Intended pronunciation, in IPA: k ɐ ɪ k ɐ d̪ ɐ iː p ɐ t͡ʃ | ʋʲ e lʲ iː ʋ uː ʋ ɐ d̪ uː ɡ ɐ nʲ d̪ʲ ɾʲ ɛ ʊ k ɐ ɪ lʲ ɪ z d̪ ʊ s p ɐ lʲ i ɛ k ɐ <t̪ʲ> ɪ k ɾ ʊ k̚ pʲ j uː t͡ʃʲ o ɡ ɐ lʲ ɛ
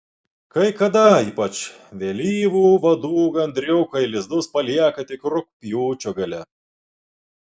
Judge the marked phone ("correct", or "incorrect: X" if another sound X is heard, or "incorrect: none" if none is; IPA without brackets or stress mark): correct